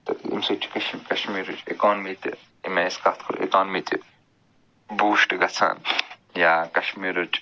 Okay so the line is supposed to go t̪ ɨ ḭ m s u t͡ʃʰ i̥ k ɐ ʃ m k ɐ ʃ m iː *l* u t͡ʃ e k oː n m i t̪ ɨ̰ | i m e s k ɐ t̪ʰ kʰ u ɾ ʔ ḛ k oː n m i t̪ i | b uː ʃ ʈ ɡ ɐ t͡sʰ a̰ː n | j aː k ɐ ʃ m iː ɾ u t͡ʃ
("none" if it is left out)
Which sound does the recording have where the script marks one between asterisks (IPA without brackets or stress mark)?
ɾ